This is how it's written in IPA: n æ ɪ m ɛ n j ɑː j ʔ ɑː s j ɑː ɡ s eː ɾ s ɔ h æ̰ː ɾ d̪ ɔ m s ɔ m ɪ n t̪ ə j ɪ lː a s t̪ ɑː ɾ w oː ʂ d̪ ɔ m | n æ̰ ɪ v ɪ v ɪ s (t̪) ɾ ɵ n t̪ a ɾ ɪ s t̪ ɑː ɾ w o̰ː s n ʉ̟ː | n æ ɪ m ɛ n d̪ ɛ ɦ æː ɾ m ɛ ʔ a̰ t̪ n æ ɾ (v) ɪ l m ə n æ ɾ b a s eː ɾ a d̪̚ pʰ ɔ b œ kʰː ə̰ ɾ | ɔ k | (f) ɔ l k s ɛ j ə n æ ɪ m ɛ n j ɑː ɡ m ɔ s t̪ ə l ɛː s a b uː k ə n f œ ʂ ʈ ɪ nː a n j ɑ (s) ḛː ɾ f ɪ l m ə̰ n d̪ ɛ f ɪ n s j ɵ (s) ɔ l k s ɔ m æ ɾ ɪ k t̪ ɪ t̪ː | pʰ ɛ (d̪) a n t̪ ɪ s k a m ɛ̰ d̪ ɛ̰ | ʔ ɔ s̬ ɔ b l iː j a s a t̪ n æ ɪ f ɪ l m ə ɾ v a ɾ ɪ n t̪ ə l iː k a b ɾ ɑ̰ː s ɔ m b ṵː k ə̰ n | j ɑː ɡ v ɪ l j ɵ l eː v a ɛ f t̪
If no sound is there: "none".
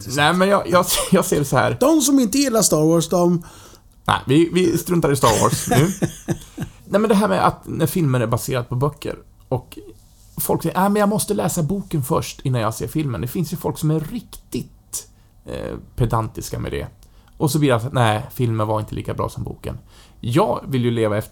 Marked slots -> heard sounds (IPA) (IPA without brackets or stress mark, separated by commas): t̪, f, f, s, f, d̪